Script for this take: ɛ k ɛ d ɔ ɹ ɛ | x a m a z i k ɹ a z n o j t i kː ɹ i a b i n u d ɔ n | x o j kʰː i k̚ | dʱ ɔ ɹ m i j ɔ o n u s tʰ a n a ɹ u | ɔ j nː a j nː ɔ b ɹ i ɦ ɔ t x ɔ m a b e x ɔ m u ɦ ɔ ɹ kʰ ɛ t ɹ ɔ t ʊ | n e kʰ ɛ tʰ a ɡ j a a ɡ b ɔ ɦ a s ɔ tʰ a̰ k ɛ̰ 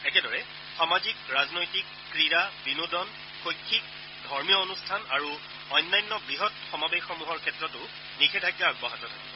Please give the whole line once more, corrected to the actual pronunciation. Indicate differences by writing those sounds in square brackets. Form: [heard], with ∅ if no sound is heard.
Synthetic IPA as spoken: ɛ k ɛ d ɔ ɹ ɛ | x a m a z i k ɹ a z n o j t i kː ɹ i a b i n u d ɔ n | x o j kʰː i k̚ | dʱ ɔ ɹ m i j ɔ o n u s tʰ a n a ɹ u | ɔ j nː a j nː ɔ b ɹ i ɦ ɔ t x ɔ m a b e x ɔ m u ɦ ɔ ɹ kʰ ɛ t ɹ ɔ t ʊ | n [i] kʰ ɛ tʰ a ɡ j a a ɡ b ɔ ɦ a [t] ɔ tʰ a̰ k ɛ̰

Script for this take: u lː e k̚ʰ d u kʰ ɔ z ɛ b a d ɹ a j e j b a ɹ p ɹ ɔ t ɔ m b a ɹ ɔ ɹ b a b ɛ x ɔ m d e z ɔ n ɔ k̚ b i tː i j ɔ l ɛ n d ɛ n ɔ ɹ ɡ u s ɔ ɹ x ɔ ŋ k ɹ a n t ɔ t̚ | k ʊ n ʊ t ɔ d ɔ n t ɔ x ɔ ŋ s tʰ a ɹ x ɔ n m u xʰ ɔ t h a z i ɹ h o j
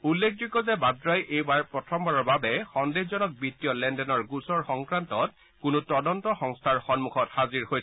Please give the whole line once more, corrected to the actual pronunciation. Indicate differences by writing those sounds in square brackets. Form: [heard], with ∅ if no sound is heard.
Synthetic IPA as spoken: u lː e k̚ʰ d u [k] ɔ z ɛ b a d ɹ a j e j b a ɹ p ɹ ɔ [tʰ] ɔ m b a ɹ ɔ ɹ b a b ɛ x ɔ [n] d e z ɔ n ɔ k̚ b i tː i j ɔ l ɛ n d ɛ n ɔ ɹ ɡ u s ɔ ɹ x ɔ ŋ k ɹ a n t ɔ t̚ | k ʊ n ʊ t ɔ d ɔ n t ɔ x ɔ ŋ s tʰ a ɹ x ɔ n m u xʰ ɔ t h a z i ɹ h o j

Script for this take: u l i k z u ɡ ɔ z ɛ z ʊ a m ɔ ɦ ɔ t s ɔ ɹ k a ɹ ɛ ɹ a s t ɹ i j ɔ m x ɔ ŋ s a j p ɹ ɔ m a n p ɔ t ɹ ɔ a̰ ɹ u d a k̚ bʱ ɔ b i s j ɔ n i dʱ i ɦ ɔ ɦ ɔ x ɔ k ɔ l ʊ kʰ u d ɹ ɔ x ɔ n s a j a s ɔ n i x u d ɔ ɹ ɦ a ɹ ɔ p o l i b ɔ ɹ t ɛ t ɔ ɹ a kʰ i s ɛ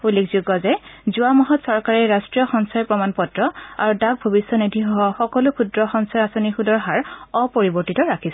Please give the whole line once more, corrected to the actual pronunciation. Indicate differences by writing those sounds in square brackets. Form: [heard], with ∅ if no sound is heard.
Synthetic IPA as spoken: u l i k z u ɡ ɔ z ɛ z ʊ a m ɔ ɦ ɔ t s ɔ ɹ k a ɹ ɛ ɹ a s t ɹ i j ɔ [∅] x ɔ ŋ s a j p ɹ ɔ m a n p ɔ t ɹ ɔ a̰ ɹ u d a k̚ bʱ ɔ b i s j ɔ n i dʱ i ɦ ɔ ɦ ɔ x ɔ k ɔ l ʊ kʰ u d ɹ ɔ x ɔ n s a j a s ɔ n i x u d ɔ ɹ ɦ a ɹ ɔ p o [ɹ] i b ɔ ɹ t [i] t ɔ ɹ a kʰ i s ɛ

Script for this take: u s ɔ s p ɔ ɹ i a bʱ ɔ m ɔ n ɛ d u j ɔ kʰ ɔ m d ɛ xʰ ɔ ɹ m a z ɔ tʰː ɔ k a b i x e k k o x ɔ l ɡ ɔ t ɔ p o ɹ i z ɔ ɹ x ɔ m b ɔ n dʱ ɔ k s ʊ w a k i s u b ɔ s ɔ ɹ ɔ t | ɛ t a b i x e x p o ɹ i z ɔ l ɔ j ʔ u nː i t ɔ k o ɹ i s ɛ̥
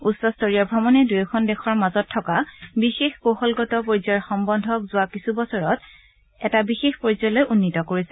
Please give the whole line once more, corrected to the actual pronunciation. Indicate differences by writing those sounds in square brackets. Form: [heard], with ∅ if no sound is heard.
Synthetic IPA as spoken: u s ɔ s [t] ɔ ɹ i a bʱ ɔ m ɔ n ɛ d u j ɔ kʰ ɔ [n] d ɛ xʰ ɔ ɹ m a z ɔ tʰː ɔ k a b i x e [x] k o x ɔ l ɡ ɔ t ɔ p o ɹ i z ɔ ɹ x ɔ m b ɔ n dʱ ɔ k [z] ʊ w a k i s u b ɔ s ɔ ɹ ɔ t | ɛ t a b i x e x p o ɹ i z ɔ l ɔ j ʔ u nː i t ɔ k o ɹ i s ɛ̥

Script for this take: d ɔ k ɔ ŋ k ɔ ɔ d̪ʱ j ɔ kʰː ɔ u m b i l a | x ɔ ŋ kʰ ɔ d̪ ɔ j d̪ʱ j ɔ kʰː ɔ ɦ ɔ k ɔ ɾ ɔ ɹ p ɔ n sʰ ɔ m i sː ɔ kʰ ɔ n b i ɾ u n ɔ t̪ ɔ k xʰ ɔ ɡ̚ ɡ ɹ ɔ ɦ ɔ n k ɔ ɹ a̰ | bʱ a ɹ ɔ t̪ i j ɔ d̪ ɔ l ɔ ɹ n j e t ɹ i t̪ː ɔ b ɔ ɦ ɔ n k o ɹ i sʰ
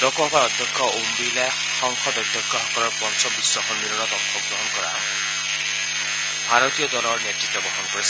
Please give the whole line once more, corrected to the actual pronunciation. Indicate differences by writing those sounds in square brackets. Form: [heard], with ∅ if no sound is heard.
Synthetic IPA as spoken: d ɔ k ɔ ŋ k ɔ ɔ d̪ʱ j ɔ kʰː ɔ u m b i l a | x ɔ ŋ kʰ ɔ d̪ ɔ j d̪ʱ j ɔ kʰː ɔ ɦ ɔ k ɔ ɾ ɔ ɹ p ɔ n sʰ ɔ [b] i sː ɔ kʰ ɔ n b i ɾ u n ɔ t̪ ɔ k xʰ ɔ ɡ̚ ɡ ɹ ɔ ɦ ɔ n k ɔ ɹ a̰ | bʱ a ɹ ɔ t̪ i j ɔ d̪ ɔ l ɔ ɹ n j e t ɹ i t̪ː ɔ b ɔ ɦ ɔ n k [ɔ] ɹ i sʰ

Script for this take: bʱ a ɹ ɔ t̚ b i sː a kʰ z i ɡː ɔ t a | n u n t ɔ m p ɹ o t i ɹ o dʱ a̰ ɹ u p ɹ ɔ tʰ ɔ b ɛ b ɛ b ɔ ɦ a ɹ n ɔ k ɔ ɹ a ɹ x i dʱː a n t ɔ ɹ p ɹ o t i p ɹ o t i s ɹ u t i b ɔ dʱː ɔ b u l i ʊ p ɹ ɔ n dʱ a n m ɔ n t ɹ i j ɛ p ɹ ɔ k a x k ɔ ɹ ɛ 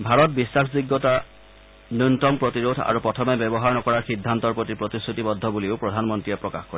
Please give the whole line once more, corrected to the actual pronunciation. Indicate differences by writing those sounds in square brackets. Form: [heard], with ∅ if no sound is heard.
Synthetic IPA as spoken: bʱ a ɹ ɔ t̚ b i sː a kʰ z i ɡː ɔ t a | n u n t ɔ m p ɹ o t i ɹ o dʱ a̰ ɹ u p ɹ ɔ tʰ ɔ [m] ɛ b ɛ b ɔ ɦ a ɹ n ɔ k ɔ ɹ a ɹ x i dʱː a n t ɔ ɹ p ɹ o t i p ɹ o t i s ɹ u t i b ɔ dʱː ɔ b u l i ʊ p ɹ ɔ [∅] dʱ a n m ɔ n t ɹ i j ɛ p ɹ ɔ k a x k ɔ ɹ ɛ

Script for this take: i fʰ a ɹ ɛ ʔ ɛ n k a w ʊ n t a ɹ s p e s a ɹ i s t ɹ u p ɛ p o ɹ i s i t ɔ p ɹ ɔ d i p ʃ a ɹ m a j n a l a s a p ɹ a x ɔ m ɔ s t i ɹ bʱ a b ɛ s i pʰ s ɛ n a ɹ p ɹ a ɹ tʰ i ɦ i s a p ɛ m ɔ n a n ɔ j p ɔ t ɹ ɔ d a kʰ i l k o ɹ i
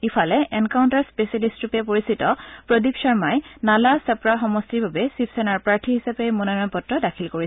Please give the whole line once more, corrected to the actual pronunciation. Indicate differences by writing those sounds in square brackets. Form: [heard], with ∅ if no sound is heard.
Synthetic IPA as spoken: i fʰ a [l] ɛ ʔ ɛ n k a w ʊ n t a ɹ s p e s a [l] i s t ɹ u p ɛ p o ɹ i s i t ɔ p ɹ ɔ d i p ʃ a ɹ m a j n a l a s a p ɹ a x ɔ m ɔ s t i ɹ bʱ a b ɛ s i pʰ s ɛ n a ɹ p ɹ a ɹ tʰ i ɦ i s a p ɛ m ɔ n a n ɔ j p ɔ t ɹ ɔ d a kʰ i l k o ɹ i

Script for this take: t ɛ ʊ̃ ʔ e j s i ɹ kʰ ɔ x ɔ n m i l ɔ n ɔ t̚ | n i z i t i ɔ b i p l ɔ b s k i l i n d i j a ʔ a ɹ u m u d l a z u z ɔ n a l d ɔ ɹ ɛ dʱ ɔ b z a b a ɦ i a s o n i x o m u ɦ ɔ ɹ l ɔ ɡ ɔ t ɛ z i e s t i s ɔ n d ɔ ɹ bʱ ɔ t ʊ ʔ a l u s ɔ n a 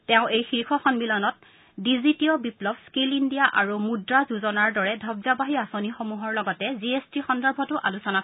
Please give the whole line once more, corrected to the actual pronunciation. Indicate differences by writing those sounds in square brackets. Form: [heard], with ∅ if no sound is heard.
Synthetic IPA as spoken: t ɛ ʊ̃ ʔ e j [x] i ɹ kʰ ɔ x ɔ n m i l ɔ n ɔ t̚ | [d] i z i t i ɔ b i p l ɔ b s k i l i n d i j a ʔ a ɹ u m u d [ɹ] a z u z ɔ n a [ɹ] d ɔ ɹ ɛ dʱ ɔ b z a b a ɦ i a s o n i x o m u ɦ ɔ ɹ l ɔ ɡ ɔ t ɛ z i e s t i [x] ɔ n d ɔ ɹ bʱ ɔ t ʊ ʔ a l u s ɔ n a

